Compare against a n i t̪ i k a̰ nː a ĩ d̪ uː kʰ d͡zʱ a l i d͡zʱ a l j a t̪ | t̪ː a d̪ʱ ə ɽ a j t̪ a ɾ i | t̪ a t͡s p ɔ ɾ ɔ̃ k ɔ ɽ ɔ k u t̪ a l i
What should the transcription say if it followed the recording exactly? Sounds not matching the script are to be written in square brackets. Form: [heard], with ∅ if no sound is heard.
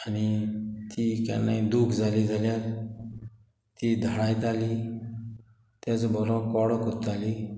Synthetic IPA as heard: a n i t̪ i k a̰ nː a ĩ d̪ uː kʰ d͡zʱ a l i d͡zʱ a l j a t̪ | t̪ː [i] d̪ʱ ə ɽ a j t̪ a [l] i | t̪ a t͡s [b] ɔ ɾ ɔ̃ k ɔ ɽ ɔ k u t̪ a l i